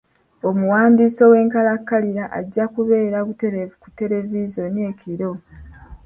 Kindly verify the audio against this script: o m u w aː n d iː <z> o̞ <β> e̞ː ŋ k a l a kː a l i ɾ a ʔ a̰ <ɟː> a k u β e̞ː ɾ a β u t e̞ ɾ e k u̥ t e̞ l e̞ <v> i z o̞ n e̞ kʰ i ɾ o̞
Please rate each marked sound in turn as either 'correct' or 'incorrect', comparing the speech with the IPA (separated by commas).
incorrect, incorrect, correct, correct